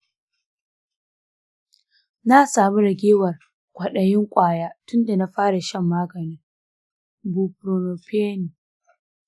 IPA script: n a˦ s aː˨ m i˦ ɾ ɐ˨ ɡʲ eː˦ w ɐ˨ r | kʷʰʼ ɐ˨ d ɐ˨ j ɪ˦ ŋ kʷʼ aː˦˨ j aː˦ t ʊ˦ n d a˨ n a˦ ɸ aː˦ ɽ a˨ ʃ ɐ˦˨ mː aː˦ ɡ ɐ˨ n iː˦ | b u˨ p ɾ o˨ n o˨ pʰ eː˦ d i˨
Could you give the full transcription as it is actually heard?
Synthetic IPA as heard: n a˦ s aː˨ m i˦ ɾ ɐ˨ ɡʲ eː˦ w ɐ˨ r | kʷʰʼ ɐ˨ ɗ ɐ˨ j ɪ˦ ŋ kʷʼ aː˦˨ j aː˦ t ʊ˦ n d a˨ n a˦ ɸ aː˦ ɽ a˨ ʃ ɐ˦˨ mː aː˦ ɡ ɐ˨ n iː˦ | b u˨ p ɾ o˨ n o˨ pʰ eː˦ n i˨